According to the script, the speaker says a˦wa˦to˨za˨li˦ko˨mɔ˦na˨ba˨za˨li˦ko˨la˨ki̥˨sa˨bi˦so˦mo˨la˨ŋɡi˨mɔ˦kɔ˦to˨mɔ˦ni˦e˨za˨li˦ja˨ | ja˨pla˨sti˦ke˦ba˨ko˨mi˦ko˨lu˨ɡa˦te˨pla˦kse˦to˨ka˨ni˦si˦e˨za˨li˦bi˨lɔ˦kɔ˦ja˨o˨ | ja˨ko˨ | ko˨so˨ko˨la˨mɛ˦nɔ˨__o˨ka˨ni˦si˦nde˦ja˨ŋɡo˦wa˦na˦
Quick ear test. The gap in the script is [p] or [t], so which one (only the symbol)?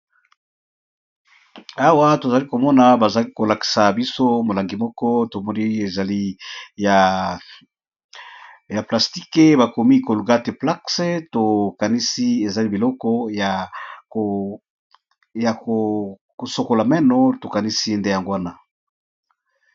t